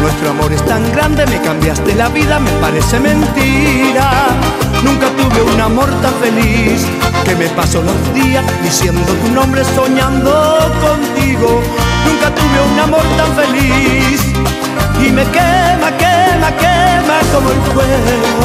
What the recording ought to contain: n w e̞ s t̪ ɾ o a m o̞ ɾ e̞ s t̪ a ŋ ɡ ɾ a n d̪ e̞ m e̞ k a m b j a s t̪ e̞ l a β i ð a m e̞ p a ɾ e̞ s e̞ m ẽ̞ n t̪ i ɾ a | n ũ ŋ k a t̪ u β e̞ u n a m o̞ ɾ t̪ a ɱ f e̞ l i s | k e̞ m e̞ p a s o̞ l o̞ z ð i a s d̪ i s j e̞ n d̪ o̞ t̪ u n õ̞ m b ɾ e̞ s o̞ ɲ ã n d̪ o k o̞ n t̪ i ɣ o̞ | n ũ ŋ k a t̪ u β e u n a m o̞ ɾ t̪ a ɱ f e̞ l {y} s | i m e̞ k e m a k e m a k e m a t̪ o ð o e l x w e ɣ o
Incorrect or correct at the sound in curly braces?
incorrect: i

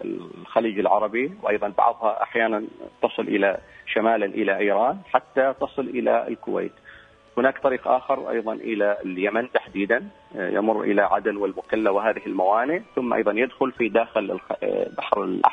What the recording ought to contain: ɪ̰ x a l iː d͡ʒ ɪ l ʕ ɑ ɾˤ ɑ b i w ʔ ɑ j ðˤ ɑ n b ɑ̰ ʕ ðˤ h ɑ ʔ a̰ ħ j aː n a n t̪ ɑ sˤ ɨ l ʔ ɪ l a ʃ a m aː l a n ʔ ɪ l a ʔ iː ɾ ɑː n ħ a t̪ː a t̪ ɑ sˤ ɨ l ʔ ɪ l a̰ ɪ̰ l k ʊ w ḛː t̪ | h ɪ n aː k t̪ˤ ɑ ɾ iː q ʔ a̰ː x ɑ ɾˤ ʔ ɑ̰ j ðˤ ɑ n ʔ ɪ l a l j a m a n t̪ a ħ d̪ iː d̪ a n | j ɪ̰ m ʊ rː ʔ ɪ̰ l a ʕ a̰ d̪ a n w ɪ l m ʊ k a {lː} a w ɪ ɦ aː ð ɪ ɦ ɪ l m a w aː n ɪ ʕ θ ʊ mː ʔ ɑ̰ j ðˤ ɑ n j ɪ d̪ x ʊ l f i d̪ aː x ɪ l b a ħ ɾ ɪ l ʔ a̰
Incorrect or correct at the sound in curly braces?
correct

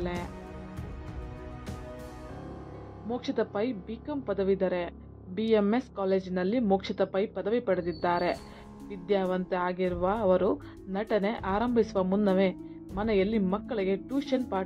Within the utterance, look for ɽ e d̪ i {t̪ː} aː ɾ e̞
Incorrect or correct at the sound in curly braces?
incorrect: d̪ː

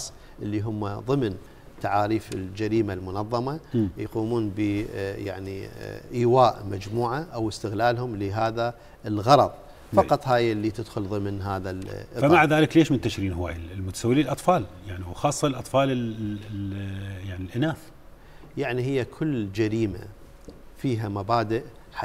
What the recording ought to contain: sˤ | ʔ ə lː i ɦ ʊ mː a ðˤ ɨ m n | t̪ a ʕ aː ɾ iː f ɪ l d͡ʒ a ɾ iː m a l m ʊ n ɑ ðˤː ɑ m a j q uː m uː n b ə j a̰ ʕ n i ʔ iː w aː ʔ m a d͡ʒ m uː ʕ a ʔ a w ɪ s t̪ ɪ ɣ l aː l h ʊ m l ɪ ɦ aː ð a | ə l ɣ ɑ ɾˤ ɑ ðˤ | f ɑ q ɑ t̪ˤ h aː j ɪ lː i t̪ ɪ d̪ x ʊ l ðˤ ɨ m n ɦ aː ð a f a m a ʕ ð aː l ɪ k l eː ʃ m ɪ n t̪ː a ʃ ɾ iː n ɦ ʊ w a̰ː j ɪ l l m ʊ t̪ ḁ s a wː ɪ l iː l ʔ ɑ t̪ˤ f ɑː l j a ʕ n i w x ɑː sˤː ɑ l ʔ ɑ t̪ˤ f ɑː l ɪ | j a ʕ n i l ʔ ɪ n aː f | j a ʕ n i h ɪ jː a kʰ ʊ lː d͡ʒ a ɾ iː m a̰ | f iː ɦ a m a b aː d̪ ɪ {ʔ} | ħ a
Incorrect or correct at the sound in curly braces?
correct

